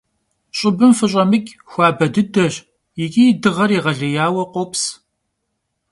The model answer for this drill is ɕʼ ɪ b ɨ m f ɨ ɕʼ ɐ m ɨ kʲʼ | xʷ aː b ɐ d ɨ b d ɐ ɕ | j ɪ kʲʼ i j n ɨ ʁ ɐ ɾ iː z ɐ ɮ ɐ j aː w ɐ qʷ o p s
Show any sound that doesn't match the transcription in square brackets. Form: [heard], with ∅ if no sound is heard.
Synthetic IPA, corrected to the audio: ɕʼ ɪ b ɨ m f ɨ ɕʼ ɐ m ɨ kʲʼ | xʷ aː b ɐ d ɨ [∅] d ɐ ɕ | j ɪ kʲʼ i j [d] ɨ ʁ ɐ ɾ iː [ʁ] ɐ ɮ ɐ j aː w ɐ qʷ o p s